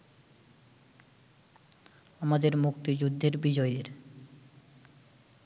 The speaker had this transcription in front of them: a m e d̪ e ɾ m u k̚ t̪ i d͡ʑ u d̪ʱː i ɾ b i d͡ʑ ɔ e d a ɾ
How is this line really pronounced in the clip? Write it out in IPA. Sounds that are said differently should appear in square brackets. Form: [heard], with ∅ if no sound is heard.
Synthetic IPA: a m [a] d̪ e ɾ m u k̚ t̪ i d͡ʑ u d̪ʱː [e] ɾ b i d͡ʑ ɔ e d [e] ɾ